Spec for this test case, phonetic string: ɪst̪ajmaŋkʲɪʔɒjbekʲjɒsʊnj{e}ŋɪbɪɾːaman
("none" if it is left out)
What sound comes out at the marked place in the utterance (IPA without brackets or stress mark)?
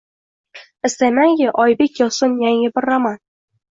a